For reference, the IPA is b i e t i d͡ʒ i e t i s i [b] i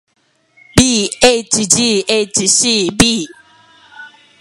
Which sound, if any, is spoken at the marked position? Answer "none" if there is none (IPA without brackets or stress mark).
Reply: b